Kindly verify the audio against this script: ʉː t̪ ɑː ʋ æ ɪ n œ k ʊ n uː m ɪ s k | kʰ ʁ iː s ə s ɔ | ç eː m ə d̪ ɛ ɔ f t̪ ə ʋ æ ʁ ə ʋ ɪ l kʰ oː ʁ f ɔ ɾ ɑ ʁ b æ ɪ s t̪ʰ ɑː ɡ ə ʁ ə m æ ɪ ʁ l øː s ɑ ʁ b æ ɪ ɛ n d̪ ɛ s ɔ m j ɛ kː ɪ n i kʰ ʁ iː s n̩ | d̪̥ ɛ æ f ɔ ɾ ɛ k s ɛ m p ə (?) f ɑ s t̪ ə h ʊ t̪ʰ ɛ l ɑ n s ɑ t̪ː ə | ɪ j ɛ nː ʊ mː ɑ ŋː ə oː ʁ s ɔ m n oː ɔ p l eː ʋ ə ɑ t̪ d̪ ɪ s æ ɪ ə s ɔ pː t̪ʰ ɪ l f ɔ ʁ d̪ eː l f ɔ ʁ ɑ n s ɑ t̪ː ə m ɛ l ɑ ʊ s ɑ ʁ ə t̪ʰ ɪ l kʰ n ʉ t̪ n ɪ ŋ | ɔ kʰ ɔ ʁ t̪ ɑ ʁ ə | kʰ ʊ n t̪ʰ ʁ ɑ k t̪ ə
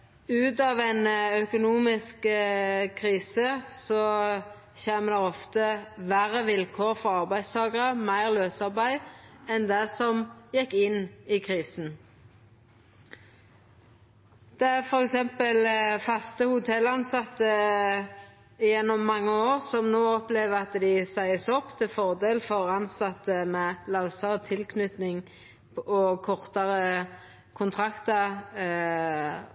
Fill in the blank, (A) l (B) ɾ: A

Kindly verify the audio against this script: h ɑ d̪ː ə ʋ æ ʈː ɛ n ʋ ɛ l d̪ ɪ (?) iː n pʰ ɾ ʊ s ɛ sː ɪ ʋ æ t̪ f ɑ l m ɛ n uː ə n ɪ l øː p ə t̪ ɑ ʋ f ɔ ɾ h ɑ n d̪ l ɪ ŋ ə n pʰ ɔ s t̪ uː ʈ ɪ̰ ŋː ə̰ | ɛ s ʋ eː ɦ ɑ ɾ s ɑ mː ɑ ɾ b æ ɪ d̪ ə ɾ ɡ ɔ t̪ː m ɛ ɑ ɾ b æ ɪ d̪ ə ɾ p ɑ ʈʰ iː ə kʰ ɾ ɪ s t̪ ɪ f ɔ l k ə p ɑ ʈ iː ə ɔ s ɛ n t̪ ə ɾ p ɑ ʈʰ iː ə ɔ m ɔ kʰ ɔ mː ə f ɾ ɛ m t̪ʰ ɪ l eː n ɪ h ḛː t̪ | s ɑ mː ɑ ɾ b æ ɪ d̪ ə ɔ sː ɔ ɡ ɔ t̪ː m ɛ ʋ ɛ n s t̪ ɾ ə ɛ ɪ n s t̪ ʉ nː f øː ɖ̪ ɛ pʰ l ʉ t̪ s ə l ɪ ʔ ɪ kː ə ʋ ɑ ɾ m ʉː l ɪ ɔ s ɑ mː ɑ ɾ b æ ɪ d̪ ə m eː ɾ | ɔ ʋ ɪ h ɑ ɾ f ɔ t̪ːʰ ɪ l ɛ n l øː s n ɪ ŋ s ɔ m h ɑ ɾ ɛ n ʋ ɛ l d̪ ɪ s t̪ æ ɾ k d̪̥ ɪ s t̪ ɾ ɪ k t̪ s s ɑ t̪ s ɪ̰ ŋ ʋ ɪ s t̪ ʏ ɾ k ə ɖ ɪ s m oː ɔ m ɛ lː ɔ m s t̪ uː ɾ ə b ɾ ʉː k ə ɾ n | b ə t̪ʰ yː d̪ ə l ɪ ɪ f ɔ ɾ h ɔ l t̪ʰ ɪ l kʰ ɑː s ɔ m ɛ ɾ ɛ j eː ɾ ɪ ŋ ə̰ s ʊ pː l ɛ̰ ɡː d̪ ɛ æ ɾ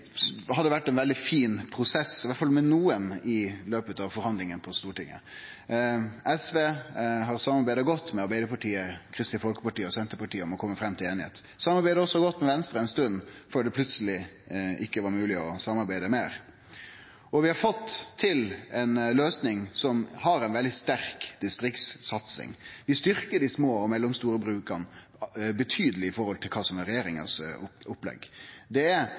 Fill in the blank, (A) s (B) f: B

